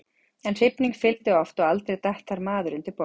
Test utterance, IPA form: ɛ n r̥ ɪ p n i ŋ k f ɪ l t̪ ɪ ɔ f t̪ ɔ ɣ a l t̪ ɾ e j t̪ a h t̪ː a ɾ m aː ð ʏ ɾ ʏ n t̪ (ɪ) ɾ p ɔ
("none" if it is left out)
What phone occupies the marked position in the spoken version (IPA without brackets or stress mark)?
ɪ